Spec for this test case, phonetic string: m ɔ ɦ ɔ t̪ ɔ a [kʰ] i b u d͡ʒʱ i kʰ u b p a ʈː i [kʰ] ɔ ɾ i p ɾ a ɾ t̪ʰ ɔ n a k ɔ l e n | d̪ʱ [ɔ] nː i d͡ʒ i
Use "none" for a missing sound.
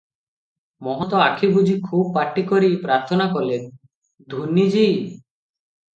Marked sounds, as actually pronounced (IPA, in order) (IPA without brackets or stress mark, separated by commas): kʰ, k, u